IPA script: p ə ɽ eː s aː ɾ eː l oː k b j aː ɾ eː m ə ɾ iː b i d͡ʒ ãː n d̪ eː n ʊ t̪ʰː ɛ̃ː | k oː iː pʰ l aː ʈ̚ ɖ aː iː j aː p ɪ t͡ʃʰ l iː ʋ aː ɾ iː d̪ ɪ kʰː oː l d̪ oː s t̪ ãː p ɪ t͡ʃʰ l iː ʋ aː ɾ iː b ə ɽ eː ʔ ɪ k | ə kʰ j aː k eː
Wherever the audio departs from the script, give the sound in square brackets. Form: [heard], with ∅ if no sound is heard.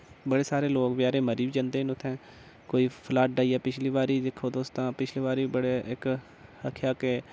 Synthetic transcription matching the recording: [b] ə ɽ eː s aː ɾ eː l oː k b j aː ɾ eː m ə ɾ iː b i d͡ʒ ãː n d̪ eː n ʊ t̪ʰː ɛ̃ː | k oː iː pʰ l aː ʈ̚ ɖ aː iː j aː p ɪ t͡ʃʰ l iː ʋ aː ɾ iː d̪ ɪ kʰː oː [∅] d̪ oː s t̪ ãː p ɪ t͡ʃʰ l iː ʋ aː ɾ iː b ə ɽ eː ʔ ɪ k | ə kʰ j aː k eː